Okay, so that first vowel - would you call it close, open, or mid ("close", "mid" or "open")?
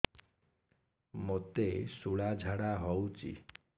mid